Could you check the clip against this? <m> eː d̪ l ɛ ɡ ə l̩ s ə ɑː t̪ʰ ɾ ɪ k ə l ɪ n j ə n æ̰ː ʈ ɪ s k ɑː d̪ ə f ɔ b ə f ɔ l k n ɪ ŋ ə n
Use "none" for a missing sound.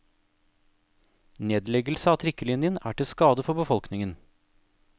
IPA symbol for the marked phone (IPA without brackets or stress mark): n